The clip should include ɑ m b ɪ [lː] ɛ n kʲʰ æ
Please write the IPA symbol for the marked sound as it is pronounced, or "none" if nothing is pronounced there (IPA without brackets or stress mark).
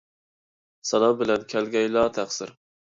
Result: l